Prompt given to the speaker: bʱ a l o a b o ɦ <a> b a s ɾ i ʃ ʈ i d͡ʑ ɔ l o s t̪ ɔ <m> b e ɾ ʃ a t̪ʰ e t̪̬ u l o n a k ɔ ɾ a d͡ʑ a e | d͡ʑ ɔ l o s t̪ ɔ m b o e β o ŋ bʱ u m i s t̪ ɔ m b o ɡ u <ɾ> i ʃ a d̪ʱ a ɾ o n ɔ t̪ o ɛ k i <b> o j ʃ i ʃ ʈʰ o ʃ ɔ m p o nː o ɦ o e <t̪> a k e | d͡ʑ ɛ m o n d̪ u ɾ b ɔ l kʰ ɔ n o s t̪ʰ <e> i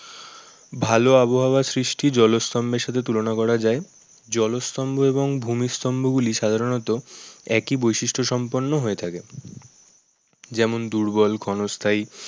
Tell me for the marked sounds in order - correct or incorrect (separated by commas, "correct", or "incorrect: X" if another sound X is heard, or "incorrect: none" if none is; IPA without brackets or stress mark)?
correct, correct, incorrect: l, correct, incorrect: t̪ʰ, incorrect: a